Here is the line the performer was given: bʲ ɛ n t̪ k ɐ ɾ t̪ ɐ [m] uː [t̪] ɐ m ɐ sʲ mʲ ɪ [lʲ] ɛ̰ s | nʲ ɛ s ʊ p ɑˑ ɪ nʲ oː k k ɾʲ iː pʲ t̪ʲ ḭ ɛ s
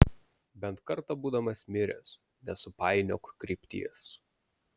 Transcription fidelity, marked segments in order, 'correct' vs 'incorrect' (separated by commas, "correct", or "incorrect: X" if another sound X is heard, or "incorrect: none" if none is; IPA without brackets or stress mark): incorrect: b, incorrect: d̪, incorrect: ɾʲ